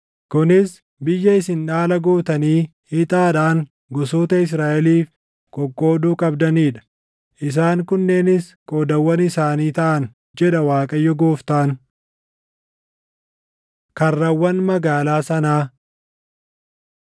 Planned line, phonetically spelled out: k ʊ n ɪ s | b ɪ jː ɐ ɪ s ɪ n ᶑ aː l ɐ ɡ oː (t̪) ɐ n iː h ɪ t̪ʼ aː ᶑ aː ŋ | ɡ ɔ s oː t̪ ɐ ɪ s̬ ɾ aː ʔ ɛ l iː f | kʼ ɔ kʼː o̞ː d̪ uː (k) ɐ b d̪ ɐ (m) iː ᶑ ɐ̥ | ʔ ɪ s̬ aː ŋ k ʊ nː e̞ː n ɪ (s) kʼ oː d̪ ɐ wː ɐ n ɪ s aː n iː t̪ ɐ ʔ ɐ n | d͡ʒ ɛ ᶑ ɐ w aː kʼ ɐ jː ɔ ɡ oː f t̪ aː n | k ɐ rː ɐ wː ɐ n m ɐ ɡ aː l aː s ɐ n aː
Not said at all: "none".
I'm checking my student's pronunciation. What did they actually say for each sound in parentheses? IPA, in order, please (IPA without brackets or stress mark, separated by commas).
t̪, kʼ, n, s